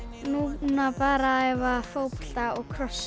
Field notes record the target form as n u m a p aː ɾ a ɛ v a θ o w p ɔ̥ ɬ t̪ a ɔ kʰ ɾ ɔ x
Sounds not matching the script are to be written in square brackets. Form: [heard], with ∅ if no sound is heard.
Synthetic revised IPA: n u [n] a p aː ɾ a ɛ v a [f] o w p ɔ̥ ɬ t̪ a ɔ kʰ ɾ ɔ [s]